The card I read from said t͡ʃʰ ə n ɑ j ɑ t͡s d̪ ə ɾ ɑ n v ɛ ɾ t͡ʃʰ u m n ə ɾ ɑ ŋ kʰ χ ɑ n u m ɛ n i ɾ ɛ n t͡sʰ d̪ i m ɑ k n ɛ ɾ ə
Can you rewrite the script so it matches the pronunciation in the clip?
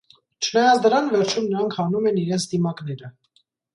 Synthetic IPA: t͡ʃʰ ə n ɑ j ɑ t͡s d̪ ə ɾ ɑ n v ɛ ɾ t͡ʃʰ u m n ə ɾ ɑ ŋ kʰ h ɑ n u m ɛ n i ɾ ɛ n t͡sʰ d̪ i m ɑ k n ɛ ɾ ə

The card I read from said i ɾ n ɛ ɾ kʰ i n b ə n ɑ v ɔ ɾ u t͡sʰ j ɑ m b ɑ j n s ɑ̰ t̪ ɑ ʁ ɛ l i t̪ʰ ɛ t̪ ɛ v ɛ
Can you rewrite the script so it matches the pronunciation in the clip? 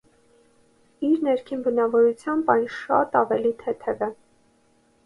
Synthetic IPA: i ɾ n ɛ ɾ kʰ i n b ə n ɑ v ɔ ɾ u t͡sʰ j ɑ m b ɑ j n ʃ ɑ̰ t̪ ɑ v ɛ l i t̪ʰ ɛ t̪ʰ ɛ v ɛ

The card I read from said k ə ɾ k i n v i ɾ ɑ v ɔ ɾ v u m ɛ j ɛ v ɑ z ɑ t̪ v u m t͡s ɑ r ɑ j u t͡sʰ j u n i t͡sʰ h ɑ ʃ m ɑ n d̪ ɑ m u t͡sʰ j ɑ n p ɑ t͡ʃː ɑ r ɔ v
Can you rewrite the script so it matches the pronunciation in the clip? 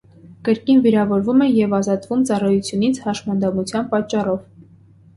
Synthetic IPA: k ə ɾ k i n v i ɾ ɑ v ɔ ɾ v u m ɛ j ɛ v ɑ z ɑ t̪ v u m t͡s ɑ r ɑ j u t͡sʰ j u n i t͡sʰ h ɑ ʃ m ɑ n d̪ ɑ m u t͡sʰ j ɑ n p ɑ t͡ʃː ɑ r ɔ v

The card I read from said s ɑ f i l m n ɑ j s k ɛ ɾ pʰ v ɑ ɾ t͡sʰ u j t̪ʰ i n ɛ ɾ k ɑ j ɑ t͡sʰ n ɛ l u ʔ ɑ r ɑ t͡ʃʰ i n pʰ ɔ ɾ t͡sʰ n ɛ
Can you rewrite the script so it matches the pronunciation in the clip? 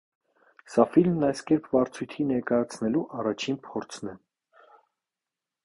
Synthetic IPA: s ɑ f i l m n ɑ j s k ɛ ɾ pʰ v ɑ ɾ t͡sʰ u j t̪ʰ i n ɛ ɾ k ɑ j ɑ t͡sʰ n ɛ l u ʔ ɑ r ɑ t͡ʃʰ i n pʰ ɔ ɾ t͡sʰ n ɛ

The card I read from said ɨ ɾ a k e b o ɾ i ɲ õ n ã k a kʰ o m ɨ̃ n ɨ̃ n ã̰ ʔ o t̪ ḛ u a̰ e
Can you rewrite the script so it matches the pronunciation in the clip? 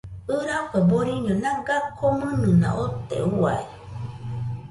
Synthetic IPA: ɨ ɾ a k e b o ɾ i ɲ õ n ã ɡ a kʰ o m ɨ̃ n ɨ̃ n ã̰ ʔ o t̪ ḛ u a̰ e

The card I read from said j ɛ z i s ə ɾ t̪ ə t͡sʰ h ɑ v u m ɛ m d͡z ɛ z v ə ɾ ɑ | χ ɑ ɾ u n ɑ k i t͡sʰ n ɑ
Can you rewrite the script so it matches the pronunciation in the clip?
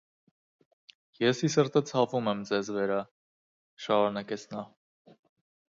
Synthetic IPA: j ɛ s i s ə ɾ t̪ ə t͡sʰ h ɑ v u m ɛ m d͡z ɛ z v ə ɾ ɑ | ʃ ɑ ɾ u n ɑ k ɛ t͡sʰ n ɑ

